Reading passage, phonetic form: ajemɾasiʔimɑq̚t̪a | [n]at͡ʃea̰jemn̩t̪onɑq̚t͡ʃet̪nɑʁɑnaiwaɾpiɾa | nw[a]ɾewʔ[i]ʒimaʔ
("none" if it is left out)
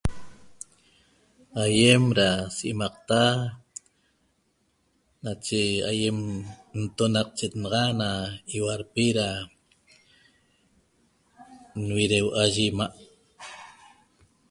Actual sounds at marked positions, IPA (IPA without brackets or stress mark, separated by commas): n, i, a